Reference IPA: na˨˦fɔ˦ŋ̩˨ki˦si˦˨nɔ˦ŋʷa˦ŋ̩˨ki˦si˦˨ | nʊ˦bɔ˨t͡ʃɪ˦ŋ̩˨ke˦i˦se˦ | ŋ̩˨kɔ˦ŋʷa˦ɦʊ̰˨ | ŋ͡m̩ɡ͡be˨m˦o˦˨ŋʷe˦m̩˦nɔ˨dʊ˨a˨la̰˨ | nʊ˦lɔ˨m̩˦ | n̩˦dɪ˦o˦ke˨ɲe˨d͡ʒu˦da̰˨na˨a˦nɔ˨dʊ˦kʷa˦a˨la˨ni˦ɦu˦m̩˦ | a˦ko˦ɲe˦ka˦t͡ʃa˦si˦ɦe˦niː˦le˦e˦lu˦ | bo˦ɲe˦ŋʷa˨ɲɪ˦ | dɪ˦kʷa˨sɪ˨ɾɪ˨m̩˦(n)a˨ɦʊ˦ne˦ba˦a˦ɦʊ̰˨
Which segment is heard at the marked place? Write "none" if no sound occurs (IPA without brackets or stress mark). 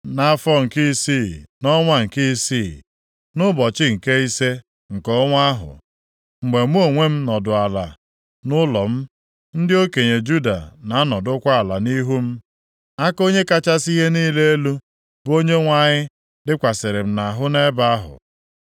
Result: n